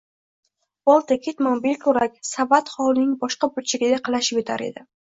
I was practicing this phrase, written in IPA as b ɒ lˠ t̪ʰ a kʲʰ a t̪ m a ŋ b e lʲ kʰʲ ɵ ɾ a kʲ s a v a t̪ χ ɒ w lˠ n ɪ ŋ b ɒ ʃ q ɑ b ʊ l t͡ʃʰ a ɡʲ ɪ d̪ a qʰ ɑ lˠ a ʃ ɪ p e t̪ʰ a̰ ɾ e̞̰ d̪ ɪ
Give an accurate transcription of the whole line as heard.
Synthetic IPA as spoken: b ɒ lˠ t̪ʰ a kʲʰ e t̪ m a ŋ b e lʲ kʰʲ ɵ ɾ a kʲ s a v a t̪ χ ɒ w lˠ n ɪ ŋ b ɒ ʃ q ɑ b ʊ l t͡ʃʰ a ɡʲ ɪ d̪ a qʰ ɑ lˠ a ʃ ɪ p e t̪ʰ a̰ ɾ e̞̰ d̪ ɪ

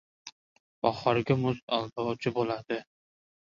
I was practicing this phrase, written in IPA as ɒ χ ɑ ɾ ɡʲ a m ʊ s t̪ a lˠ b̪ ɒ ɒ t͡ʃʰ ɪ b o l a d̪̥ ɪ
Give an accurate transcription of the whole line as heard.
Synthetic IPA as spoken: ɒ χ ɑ ɾ ɡʲ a m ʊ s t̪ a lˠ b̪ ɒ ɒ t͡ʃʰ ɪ b o l a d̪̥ ɪ

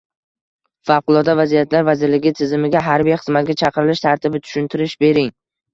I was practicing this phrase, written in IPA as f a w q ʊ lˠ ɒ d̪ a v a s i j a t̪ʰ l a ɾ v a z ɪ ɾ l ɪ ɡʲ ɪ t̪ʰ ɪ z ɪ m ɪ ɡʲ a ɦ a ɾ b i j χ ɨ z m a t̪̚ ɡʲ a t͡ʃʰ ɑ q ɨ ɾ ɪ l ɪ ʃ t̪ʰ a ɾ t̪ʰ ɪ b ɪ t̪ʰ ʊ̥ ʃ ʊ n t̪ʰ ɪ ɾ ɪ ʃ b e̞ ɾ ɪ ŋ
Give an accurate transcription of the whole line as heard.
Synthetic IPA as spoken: f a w q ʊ lˠ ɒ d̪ a v a z i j a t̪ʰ l a ɾ v a z ɪ ɾ l ɪ ɡʲ ɪ t̪ʰ ɪ z ɪ m ɪ ɡʲ a ɦ a ɾ b i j χ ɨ z m a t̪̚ ɡʲ a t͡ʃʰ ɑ q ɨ ɾ ɪ l ɪ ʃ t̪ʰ a ɾ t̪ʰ ɪ b ɪ t̪ʰ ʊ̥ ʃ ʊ n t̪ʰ ɪ ɾ ɪ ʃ b e̞ ɾ ɪ ŋ

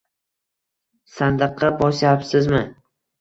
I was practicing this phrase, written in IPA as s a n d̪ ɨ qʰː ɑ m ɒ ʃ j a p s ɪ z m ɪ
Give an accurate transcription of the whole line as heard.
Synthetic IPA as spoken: s a n d̪ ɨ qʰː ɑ b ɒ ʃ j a p s ɪ z m ɪ

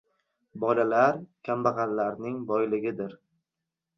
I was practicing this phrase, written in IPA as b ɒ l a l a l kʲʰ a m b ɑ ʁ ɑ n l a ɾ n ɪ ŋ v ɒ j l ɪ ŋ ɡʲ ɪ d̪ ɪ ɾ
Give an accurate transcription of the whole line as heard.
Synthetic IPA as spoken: b ɒ l a l a ɾ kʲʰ a m b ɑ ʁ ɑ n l a ɾ n ɪ ŋ b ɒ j l ɪ ɡʲ ɪ d̪ ɪ ɾ

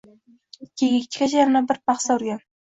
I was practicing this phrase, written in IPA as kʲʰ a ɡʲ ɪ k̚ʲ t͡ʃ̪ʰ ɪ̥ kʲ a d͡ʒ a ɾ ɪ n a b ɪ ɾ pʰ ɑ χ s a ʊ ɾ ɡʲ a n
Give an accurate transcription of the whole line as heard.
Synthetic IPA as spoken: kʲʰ e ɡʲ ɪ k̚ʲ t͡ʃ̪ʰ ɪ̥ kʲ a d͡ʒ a ɾ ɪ n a b ɪ ɾ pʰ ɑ χ s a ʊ ɾ ɡʲ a n

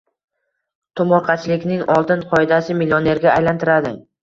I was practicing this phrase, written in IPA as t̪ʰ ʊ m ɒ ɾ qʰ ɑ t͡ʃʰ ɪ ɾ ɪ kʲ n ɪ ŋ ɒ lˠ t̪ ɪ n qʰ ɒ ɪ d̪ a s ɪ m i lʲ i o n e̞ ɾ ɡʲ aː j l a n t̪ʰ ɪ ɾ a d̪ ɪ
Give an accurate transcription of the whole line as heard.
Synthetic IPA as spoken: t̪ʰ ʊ m ɒ ɾ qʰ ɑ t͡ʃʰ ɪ l ɪ kʲ n ɪ ŋ ɒ lˠ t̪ ɪ n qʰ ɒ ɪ d̪ a s ɪ m i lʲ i o n e̞ ɾ ɡʲ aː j l a n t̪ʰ ɪ ɾ a d̪ ɪ

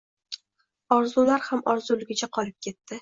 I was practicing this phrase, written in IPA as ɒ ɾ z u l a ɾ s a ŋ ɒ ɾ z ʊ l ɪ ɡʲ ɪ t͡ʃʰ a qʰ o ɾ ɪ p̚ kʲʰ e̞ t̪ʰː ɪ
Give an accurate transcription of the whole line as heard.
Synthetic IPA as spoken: ɒ ɾ z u l a ɾ h a m ɒ ɾ z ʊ l ɪ ɡʲ ɪ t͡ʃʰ a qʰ ɒ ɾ ɪ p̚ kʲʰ e̞ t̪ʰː ɪ

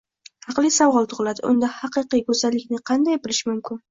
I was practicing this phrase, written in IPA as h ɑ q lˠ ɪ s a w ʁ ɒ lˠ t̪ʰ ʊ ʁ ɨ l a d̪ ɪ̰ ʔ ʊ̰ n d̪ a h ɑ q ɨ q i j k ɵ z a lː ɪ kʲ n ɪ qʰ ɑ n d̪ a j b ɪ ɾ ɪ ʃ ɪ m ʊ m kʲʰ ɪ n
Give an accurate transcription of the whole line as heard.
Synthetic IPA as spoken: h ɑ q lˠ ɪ s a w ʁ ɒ lˠ t̪ʰ ʊ ʁ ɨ l a d̪ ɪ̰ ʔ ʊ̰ n d̪ a h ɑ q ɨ q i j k ɵ z a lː ɪ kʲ n ɪ qʰ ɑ n d̪ a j b ɪ l ɪ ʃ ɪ m ʊ m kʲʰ ɪ n

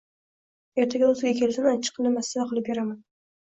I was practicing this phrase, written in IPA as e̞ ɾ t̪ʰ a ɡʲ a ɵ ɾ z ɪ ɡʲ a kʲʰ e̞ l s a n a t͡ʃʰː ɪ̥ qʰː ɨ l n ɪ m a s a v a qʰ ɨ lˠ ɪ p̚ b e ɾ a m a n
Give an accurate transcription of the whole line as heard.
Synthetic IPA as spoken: e̞ ɾ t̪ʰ a ɡʲ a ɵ z ɪ ɡʲ a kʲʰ e̞ l s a n a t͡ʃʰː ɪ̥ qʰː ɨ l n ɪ m a s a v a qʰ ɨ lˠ ɪ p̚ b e ɾ a m a n

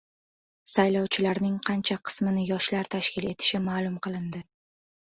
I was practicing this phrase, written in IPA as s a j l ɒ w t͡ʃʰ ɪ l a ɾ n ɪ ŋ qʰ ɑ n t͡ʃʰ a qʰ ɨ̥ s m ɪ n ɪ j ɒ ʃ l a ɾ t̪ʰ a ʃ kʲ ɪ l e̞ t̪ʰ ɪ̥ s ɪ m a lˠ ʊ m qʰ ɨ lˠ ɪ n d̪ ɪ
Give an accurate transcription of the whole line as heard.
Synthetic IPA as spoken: s a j l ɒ w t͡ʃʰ ɪ l a ɾ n ɪ ŋ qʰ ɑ n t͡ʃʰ a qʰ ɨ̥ s m ɪ n ɪ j ɒ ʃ l a ɾ t̪ʰ a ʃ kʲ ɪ l e̞ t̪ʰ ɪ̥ ʃ ɪ m a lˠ ʊ m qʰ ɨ lˠ ɪ n d̪ ɪ

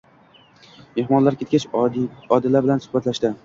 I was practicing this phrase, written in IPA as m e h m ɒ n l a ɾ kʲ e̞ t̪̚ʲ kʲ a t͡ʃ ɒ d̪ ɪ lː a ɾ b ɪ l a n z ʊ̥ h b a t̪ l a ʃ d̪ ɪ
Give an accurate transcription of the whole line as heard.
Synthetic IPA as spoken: m e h m ɒ n l a ɾ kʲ e̞ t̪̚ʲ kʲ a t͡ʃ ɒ d̪ ɪ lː a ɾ b ɪ l a n s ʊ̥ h b a t̪ l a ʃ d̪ ɪ

